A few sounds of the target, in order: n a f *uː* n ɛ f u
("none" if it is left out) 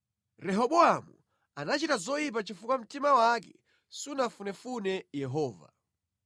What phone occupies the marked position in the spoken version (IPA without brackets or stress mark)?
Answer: u